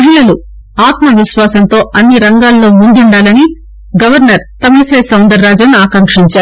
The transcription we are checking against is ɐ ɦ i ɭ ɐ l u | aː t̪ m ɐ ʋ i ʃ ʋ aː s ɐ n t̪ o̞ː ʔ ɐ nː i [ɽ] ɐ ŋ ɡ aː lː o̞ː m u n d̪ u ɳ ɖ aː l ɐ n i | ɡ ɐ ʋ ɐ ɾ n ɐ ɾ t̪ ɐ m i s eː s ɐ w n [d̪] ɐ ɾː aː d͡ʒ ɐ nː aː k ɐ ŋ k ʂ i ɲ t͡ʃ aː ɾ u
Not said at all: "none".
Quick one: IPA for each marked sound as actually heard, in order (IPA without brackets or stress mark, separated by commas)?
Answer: ɾ, d̪